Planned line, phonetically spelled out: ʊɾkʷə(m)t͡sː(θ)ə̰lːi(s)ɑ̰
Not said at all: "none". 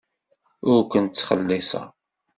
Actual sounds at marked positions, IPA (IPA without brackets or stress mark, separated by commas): n, χ, s